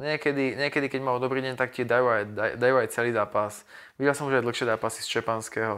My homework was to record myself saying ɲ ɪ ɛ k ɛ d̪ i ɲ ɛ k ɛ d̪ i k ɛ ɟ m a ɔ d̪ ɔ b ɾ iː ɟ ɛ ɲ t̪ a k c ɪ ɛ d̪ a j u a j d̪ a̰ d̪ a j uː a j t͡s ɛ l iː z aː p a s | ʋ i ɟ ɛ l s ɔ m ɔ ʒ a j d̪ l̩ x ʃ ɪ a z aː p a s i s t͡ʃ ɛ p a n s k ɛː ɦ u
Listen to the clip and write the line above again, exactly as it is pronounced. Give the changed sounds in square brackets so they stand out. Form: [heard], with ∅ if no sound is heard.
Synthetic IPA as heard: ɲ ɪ ɛ k ɛ d̪ i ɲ ɛ k ɛ d̪ i k ɛ ɟ m a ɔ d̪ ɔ b ɾ iː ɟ ɛ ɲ t̪ a k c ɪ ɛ d̪ a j u a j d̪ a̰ d̪ a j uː a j t͡s ɛ l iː z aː p a s | ʋ i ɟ ɛ l s ɔ m [u] ʒ a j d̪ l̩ x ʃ ɪ [ɛ] z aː p a s i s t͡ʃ ɛ p a n s k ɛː ɦ [ɔ]